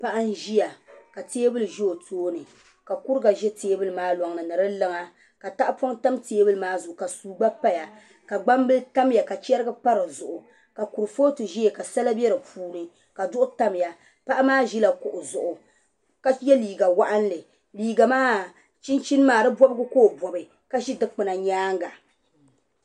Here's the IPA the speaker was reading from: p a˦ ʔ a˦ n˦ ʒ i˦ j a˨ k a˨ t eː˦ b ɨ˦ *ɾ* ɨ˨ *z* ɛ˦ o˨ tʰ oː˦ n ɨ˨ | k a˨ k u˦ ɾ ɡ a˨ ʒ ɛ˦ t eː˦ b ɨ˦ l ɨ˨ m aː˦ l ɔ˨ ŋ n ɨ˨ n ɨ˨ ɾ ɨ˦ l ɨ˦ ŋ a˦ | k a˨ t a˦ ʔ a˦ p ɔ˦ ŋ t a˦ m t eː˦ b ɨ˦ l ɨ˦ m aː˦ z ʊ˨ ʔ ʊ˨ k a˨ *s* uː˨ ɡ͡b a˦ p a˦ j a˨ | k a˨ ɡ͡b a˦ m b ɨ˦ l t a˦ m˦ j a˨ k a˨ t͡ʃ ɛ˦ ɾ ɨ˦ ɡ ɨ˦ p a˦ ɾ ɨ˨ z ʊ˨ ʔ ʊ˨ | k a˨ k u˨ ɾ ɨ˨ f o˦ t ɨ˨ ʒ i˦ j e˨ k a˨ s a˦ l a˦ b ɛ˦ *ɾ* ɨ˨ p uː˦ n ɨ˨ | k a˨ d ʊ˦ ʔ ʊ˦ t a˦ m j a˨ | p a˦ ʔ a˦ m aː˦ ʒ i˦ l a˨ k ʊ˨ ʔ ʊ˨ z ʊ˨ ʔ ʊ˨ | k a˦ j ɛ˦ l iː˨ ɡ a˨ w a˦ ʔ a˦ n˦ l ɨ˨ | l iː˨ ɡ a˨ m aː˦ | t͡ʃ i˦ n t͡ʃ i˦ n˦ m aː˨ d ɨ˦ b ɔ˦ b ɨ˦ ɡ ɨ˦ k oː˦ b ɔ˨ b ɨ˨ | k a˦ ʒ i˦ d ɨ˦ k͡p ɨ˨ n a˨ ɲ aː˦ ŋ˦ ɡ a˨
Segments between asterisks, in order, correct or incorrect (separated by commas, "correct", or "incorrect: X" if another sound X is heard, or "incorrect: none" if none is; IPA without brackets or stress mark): incorrect: l, incorrect: ʒ, correct, correct